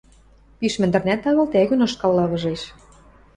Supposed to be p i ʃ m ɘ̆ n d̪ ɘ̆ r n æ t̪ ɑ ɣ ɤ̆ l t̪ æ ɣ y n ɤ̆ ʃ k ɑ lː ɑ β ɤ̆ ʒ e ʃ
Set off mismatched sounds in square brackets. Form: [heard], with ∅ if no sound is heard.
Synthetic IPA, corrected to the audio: p i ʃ m ɘ̆ n d̪ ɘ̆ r n æ t̪ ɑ ɣ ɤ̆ l t̪ æ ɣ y n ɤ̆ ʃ k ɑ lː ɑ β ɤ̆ ʒ e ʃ